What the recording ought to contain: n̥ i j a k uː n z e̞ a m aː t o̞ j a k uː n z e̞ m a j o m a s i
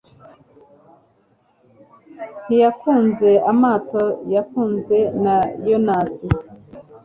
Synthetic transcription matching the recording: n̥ i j a k uː n z e̞ a m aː t o̞ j a k uː n z e̞ n a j o n a s i